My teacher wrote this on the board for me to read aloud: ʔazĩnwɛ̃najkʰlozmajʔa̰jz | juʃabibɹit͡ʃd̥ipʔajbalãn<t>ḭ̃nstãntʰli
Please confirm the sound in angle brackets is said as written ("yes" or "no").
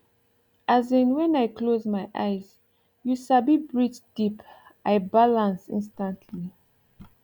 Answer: no